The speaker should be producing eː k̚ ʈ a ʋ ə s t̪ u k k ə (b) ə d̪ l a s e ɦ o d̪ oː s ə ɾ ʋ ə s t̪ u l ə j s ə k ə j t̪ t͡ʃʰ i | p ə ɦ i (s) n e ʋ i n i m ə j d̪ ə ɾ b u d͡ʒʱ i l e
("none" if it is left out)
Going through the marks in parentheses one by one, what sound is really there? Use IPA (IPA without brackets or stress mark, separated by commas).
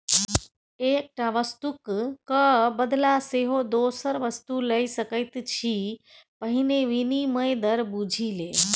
b, none